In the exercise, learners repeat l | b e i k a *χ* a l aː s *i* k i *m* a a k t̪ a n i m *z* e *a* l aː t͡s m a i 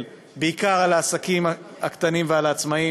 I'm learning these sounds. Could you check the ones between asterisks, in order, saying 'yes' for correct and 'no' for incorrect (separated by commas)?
no, no, yes, no, yes